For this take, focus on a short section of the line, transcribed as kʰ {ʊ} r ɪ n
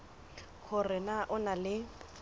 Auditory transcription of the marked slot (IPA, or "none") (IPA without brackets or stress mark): ʊ